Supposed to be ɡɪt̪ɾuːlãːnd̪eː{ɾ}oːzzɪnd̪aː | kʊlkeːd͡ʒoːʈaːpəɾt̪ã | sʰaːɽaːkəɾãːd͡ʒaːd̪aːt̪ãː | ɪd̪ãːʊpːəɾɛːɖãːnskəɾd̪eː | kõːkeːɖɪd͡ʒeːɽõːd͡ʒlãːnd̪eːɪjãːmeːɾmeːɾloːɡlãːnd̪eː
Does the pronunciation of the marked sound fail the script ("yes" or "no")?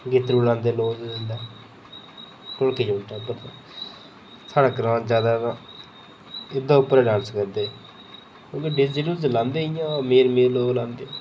yes